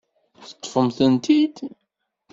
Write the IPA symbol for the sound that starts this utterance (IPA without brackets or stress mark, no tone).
θ